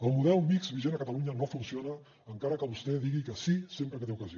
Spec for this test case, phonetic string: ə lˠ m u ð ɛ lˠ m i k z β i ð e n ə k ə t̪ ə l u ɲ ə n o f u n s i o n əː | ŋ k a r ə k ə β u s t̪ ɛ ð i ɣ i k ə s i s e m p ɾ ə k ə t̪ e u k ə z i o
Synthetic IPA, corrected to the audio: ə lˠ m u ð ɛ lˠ m i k z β i ʒ e n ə k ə t̪ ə l u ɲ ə n o f u n s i o n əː | ŋ k a ɾ ə k ə β u s t̪ ɛ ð i ɣ i k ə s i s e m p ɾ ə k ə t̪ e u k ə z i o

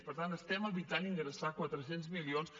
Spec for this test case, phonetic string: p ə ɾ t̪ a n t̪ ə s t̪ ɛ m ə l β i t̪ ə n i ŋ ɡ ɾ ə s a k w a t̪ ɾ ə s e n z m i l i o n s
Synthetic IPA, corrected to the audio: p ə ɾ t̪ a n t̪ ə s t̪ ɛ m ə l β i t̪ a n i ŋ ɡ ɾ ə s a k w a t̪ ɾ ə s e n z m i l i o n s

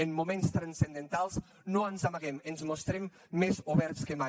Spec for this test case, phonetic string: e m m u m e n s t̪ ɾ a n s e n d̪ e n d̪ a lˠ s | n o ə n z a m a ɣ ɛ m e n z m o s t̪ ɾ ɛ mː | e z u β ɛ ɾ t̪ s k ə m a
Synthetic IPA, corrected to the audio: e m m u m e n s t̪ ɾ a n s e n d̪ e n t̪ a lˠ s | n o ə n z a m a ɣ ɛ m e n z m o s t̪ ɾ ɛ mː | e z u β ɛ ɾ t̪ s k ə m a

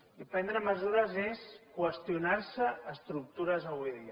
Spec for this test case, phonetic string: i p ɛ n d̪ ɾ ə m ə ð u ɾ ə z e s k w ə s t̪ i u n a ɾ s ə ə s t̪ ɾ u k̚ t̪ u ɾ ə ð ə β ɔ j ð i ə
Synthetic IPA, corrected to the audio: i p ɛ n d̪ ɾ ə m ə z u ɾ ə z e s k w ə s t̪ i u n a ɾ s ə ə s t̪ ɾ u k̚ t̪ u ɾ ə z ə β u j ð i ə

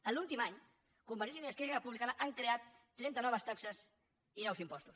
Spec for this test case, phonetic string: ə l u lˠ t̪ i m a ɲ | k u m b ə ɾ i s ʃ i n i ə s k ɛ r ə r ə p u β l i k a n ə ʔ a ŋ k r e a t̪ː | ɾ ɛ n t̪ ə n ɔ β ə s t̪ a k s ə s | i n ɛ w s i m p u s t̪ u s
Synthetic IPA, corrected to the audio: ə l u lˠ t̪ i m a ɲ | k u m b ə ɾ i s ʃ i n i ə s k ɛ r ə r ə p u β l i k a n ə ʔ a ŋ k ɾ e a t̪ː | ɾ ɛ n t̪ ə n ɔ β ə s t̪ a k s ə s | i n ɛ w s i m p ɔ s t̪ u s

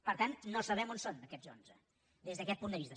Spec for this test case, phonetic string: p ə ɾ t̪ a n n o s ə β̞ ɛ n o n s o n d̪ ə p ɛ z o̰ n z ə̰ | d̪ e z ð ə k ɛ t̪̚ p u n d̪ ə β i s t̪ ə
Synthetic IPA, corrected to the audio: p ə ɾ t̪ a n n o s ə β̞ ɛ m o n s o n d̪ ə k ɛ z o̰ n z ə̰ | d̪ e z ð ə k ɛ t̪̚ p u n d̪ ə β i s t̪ ə

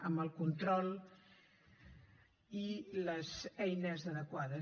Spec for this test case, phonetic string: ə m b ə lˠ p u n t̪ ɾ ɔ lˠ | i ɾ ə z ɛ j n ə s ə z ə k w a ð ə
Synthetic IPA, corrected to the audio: ə m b ə lˠ k u n t̪ ɾ ɔ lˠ | i l ə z ɛ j n ə z ə ð ə k w a ð ə

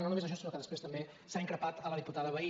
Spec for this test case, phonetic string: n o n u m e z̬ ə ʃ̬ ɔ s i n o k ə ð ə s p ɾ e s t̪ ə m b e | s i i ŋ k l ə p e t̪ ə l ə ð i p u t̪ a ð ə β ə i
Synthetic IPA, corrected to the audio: n o n u m e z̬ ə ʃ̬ ɔ s i n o k ə ð ə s p ɾ e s t̪ ə m b e | s a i ŋ k ɾ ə p a t̪ ə l ə ð i p u t̪ a ð ə β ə i

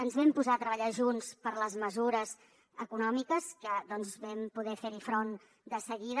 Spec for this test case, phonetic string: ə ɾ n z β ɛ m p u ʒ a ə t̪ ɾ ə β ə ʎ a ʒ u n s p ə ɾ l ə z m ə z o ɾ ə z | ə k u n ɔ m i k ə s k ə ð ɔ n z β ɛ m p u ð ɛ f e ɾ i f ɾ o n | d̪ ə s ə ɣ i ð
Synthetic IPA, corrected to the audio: ə n z β ɛ m p u z a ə t̪ ɾ ə β ə ʎ a ʒ u n s p ə ɾ l ə z m ə z u ɾ ə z | ə k u n ɔ m i k ə s k ə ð ɔ n z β ɛ m p u ð ɛ f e ɾ i f ɾ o n | d̪ ə s ə ɣ i ð

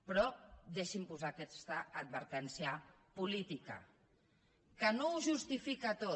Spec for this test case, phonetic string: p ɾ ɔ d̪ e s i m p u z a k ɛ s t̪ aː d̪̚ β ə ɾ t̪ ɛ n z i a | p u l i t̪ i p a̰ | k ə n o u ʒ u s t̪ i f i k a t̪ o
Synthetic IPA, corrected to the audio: p ɾ ɔ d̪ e ʃ i m p u z a k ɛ s t̪ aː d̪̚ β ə ɾ t̪ ɛ n s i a | p u l i t̪ i k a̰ | k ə n o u ʒ u s t̪ i f i k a t̪ o

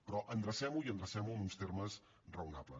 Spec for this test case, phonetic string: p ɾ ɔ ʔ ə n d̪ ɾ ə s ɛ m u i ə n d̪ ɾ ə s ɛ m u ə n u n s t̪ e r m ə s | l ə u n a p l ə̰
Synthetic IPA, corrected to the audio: p ɾ ɔ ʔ ə n d̪ ɾ ə s ɛ m u i ə n d̪ ɾ ə s ɛ m u ə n u n s t̪ e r m ə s | r ə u n a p l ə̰

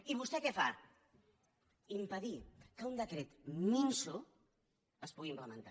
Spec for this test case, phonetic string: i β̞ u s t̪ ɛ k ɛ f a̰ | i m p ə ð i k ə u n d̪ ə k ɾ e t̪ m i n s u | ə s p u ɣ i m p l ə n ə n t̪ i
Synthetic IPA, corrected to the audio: i β̞ u s t̪ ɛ k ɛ f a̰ | i m p ə ð i k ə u n d̪ ə k ɾ e t̪ m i n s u | ə s p u ɣ i m p l ə m ə n t̪ a

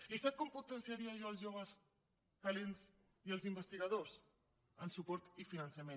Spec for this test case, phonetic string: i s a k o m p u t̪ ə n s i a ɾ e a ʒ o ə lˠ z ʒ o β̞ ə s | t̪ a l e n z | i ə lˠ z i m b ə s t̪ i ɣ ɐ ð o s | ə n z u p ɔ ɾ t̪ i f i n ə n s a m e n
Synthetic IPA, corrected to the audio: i s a k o m p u t̪ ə n s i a ɾ i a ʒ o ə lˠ z ʒ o β̞ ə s | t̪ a l e n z | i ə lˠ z i m b ə s t̪ i ɣ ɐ ð o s | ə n s u p ɔ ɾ t̪ i f i n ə n s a m e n

